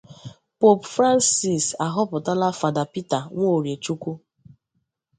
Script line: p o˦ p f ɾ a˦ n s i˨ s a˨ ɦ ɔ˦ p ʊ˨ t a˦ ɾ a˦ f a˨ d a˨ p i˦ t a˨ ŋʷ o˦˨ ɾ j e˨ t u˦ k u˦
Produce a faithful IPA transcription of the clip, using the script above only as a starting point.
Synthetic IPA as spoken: p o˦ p f ɾ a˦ n s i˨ s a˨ ɦ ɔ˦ p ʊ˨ t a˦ l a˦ f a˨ d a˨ p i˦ t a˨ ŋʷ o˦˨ ɾ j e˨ t͡ʃ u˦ k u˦